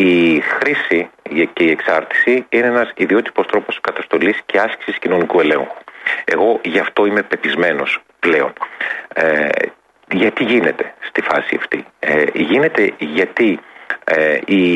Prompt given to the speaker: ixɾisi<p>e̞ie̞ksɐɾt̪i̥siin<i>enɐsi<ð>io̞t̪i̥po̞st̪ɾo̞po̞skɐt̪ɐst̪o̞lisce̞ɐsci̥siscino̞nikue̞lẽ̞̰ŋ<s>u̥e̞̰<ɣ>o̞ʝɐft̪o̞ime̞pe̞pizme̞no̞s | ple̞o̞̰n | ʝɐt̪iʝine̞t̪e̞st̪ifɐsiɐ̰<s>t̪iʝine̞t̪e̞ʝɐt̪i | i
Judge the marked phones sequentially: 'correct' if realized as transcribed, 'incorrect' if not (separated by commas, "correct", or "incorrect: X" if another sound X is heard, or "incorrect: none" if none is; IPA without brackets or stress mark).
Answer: incorrect: c, incorrect: e, correct, incorrect: x, correct, incorrect: f